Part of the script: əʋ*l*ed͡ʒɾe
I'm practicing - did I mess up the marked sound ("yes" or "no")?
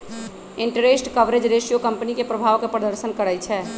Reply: yes